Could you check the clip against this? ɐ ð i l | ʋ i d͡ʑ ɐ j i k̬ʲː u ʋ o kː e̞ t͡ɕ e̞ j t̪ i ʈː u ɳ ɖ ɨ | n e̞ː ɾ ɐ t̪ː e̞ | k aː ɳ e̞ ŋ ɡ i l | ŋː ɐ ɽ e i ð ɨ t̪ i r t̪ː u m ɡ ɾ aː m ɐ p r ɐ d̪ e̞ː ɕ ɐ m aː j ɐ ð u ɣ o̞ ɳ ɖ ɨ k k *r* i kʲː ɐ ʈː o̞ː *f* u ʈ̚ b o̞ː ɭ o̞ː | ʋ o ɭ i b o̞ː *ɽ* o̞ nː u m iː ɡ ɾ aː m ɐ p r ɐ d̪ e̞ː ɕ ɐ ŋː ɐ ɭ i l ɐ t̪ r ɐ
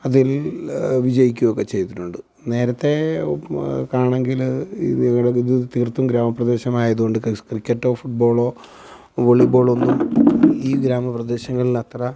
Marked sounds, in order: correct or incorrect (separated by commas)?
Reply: correct, correct, incorrect